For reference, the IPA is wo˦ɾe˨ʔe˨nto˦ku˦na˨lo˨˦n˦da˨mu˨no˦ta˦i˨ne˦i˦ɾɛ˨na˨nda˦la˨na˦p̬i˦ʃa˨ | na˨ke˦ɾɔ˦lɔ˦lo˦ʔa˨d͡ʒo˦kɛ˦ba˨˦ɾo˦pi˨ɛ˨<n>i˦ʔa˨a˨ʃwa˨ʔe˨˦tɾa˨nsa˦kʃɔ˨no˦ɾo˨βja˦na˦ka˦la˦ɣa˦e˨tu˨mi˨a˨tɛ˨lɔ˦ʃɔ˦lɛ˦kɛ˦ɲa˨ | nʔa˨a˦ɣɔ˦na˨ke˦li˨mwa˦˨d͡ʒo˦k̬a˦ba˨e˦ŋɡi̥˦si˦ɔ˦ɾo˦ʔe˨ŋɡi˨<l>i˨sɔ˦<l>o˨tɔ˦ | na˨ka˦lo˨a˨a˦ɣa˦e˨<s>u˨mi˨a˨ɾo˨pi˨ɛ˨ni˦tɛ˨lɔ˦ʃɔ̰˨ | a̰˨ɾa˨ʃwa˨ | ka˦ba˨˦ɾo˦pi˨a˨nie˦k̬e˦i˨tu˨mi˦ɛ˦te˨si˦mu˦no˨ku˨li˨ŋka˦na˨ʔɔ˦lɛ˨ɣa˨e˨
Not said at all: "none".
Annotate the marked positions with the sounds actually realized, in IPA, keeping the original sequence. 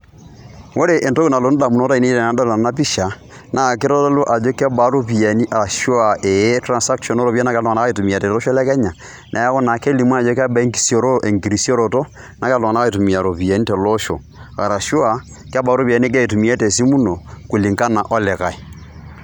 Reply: n, ɾ, ɾ, t

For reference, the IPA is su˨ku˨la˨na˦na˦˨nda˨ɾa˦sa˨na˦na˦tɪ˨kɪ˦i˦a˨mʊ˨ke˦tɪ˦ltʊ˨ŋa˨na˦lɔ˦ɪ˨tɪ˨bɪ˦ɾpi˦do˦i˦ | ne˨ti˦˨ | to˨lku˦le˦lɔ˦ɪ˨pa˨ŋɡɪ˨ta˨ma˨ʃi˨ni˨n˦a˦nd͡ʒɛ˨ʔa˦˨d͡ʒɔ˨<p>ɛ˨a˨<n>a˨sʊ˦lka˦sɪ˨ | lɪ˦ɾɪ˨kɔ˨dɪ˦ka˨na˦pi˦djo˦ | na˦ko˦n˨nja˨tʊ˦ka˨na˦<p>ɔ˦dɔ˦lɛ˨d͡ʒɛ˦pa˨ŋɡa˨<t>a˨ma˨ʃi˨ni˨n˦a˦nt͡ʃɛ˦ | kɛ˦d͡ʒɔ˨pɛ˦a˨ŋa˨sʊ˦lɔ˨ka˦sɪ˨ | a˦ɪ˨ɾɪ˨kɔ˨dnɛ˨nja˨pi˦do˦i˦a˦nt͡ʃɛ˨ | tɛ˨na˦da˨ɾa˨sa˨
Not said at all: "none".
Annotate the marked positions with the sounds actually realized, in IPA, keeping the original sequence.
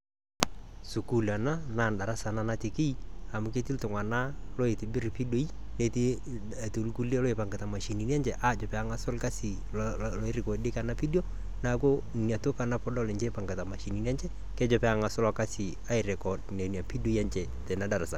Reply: p, ŋ, p, t

